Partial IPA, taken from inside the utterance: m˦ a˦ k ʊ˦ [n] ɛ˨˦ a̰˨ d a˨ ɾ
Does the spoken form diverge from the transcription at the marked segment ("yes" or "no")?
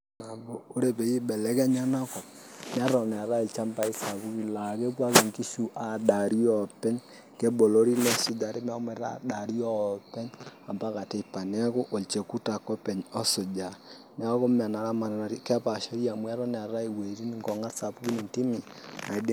yes